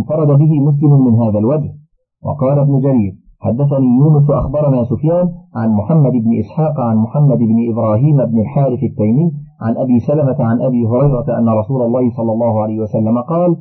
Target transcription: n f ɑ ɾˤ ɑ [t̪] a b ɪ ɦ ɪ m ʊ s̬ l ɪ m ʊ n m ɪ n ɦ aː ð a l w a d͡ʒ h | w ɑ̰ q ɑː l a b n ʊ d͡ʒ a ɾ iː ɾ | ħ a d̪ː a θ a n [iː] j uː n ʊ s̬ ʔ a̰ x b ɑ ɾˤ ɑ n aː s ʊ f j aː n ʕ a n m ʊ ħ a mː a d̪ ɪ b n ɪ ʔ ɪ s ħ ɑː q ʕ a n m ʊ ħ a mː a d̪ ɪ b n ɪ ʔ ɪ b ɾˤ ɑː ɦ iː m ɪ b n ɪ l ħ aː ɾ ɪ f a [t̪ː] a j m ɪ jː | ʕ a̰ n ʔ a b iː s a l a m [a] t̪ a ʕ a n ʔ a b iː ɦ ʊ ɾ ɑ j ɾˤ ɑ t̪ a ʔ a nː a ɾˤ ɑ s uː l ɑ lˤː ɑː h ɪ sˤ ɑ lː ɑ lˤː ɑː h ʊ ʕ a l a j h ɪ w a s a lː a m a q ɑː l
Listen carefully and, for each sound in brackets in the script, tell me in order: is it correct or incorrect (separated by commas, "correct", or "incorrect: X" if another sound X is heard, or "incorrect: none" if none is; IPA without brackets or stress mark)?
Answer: incorrect: d̪, correct, correct, correct